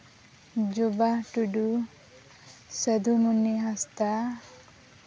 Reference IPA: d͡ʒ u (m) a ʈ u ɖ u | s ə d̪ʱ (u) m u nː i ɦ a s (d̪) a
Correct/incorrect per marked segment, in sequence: incorrect: b, correct, incorrect: t̪

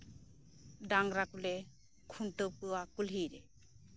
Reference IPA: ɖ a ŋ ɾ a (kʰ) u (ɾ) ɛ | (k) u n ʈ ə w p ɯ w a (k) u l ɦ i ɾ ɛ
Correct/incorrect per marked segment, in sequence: incorrect: k, incorrect: l, incorrect: kʰ, correct

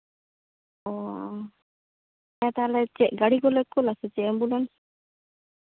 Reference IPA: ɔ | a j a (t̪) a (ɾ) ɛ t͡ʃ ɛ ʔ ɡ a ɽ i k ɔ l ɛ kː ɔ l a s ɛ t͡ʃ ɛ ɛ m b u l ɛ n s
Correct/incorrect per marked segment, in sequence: correct, incorrect: l

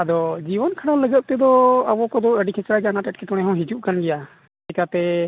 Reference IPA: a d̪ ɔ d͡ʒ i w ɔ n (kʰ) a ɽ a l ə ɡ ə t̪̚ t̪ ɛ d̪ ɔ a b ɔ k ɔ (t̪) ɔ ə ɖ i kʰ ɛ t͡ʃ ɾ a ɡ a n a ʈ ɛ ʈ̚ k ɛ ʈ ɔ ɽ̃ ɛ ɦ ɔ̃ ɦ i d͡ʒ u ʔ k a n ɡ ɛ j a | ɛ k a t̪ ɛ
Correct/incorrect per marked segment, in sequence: correct, incorrect: d̪

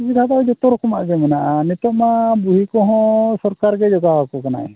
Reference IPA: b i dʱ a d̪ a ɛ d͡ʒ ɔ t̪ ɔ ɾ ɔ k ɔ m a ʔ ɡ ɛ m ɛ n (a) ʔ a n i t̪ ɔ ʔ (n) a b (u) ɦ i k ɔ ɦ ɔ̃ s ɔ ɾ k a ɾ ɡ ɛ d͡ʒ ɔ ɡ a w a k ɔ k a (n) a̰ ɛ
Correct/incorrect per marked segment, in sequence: correct, incorrect: m, correct, correct

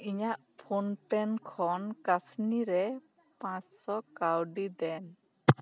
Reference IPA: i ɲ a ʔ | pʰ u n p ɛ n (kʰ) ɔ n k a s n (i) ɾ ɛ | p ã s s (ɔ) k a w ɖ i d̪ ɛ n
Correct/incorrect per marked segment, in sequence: correct, correct, correct

